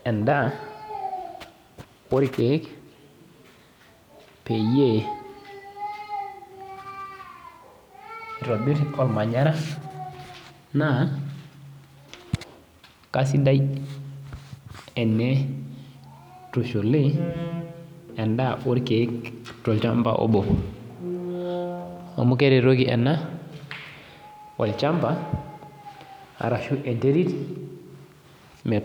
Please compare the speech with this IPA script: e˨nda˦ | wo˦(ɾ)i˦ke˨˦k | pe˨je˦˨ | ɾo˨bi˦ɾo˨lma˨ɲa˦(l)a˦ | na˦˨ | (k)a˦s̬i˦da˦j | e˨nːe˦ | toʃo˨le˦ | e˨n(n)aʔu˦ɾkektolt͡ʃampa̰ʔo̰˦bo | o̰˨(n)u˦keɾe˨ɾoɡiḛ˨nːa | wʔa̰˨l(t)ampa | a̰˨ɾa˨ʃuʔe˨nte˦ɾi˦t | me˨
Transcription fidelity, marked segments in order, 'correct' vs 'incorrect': correct, incorrect, correct, incorrect, incorrect, incorrect

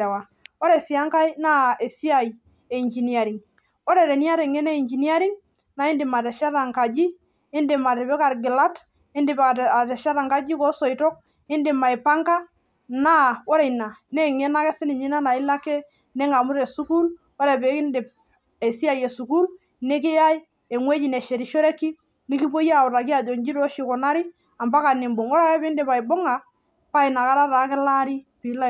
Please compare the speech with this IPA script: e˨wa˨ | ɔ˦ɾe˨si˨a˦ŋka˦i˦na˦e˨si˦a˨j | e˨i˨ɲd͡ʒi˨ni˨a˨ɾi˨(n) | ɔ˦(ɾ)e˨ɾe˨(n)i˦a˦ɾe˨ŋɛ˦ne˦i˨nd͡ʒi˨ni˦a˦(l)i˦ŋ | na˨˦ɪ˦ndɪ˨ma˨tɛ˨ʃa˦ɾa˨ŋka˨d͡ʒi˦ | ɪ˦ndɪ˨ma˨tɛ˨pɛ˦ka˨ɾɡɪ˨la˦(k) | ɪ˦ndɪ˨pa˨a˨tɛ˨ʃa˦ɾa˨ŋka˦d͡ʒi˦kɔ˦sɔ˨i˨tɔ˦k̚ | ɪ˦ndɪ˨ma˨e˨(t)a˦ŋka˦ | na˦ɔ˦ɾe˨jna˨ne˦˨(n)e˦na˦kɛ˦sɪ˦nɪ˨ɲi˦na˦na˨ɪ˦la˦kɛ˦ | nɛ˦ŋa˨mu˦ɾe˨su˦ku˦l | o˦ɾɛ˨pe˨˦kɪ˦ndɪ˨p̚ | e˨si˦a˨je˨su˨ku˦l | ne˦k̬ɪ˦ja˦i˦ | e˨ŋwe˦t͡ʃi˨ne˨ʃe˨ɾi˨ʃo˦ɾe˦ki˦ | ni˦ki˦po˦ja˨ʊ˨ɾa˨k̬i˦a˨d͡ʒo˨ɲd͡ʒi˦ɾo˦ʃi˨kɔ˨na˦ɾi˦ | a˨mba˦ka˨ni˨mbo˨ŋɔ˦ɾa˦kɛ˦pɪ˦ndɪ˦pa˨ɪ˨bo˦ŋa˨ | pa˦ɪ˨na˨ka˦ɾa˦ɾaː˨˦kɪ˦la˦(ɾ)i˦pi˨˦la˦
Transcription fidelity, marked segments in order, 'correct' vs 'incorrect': incorrect, correct, correct, incorrect, incorrect, incorrect, incorrect, correct

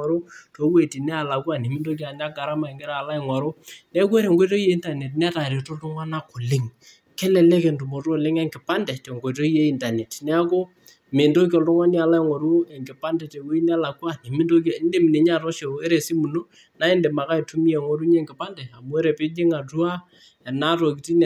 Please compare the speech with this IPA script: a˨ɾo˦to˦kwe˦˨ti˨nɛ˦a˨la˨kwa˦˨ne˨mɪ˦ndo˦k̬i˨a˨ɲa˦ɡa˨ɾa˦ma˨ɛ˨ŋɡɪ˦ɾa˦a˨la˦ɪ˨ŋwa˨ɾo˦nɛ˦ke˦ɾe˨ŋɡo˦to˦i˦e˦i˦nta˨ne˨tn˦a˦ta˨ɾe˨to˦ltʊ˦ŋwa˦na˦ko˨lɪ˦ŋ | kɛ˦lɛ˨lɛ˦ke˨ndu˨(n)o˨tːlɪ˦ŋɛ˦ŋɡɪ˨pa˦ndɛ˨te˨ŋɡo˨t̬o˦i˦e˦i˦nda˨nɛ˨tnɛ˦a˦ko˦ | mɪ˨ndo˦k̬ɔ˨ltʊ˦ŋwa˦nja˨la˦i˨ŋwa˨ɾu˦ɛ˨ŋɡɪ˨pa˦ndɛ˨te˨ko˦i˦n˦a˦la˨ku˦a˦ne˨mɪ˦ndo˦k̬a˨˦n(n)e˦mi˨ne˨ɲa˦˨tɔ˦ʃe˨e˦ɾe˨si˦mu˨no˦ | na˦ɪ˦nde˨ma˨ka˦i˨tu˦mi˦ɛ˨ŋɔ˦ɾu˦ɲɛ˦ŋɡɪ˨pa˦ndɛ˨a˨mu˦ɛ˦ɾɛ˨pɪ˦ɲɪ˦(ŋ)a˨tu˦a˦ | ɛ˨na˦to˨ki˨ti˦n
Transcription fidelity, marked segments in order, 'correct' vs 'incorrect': incorrect, incorrect, correct

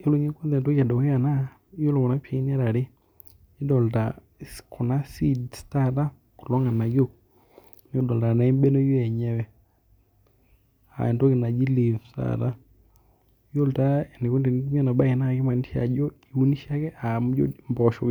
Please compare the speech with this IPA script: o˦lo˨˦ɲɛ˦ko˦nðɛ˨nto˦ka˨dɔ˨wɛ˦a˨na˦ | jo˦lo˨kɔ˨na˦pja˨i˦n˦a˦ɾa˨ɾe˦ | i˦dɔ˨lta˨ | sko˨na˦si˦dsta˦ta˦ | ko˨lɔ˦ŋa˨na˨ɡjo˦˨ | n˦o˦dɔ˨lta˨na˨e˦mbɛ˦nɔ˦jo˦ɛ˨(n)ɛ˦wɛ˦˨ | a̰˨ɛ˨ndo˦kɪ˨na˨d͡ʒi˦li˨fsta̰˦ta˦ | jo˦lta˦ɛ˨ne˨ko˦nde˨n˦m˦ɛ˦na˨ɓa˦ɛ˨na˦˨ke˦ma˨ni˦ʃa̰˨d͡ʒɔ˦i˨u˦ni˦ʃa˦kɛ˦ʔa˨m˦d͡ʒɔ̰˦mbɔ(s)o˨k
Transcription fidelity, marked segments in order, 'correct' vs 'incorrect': incorrect, incorrect

